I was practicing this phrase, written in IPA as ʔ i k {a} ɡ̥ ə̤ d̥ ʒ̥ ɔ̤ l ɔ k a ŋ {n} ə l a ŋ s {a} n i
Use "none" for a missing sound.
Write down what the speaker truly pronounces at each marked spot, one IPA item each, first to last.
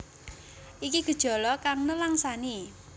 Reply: i, n, a

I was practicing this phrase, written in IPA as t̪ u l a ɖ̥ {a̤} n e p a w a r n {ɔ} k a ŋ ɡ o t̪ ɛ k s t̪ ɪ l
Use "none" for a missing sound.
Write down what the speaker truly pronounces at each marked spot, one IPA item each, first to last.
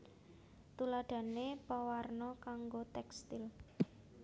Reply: a̤, ɔ

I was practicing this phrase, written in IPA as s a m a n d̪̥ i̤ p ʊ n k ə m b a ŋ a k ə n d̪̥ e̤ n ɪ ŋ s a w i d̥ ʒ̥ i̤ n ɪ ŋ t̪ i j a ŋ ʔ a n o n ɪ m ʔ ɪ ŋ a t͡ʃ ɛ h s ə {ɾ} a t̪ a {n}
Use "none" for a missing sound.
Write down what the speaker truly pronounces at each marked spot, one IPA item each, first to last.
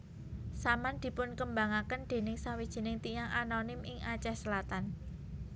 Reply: l, n

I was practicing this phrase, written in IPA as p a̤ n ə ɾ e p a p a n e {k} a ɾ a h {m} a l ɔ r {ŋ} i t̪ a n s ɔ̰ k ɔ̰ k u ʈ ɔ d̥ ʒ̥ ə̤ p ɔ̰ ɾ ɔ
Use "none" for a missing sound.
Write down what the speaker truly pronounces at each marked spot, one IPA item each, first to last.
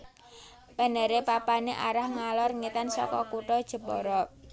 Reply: ʔ, ŋ, ŋ

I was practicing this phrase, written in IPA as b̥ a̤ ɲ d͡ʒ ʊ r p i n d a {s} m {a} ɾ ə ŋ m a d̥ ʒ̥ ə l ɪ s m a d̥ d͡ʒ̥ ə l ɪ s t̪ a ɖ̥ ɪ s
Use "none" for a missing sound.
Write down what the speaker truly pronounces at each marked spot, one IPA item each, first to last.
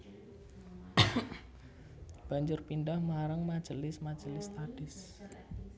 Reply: h, a

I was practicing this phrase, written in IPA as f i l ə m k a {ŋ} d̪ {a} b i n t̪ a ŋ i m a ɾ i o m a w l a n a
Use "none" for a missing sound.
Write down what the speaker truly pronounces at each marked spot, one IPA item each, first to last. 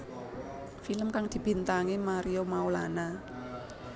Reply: ŋ, i

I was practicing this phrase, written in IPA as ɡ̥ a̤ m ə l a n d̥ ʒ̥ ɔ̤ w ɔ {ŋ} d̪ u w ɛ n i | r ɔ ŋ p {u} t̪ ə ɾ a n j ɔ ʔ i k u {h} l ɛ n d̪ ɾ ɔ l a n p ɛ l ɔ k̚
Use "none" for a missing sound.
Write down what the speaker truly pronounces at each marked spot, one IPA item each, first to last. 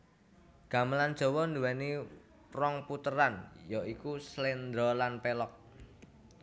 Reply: n, u, s

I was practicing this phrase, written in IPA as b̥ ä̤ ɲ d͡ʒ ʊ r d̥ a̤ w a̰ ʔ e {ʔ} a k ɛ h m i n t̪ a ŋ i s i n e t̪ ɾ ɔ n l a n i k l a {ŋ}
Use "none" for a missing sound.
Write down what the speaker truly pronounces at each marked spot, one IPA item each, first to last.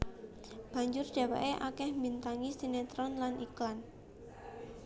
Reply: ʔ, n

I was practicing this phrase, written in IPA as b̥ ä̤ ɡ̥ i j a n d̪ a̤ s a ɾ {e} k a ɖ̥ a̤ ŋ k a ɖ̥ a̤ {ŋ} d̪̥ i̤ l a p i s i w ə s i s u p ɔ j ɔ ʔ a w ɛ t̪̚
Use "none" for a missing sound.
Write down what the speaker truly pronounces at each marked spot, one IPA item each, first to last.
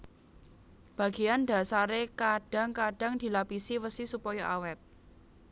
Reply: e, ŋ

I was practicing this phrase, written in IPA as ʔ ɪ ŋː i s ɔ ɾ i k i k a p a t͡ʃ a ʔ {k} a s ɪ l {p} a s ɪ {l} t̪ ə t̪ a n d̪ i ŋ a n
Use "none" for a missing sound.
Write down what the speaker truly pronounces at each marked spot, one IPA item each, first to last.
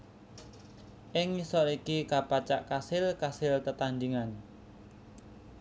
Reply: k, k, l

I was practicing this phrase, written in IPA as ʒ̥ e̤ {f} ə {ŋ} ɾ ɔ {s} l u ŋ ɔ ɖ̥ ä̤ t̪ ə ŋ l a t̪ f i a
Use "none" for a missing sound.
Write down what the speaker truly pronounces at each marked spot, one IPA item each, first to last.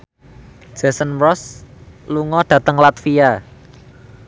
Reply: s, n, s

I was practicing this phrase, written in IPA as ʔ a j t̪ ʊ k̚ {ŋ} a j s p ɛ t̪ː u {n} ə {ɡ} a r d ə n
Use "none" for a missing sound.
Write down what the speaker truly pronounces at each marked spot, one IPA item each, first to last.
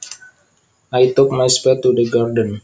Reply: m, d, ɡ

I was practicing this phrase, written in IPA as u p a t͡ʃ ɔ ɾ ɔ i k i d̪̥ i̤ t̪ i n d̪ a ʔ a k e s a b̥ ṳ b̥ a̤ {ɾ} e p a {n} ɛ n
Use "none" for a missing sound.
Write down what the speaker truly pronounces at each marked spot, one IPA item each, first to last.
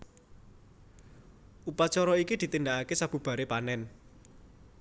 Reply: ɾ, n

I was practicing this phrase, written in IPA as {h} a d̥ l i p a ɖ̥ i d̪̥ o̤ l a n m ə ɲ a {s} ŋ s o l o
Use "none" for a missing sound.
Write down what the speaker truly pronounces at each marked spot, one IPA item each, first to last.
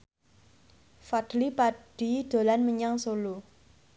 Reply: f, none

